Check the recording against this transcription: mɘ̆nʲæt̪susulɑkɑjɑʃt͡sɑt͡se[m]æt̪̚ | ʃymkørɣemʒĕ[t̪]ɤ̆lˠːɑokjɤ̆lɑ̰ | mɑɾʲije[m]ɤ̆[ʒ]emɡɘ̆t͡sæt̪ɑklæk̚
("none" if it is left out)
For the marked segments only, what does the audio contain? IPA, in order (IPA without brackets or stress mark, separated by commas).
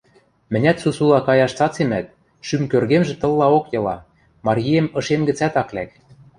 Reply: m, t̪, m, ʃ